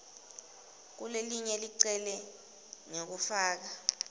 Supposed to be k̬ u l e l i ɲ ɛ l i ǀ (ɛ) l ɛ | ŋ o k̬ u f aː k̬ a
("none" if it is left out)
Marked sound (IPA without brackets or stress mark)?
ɛ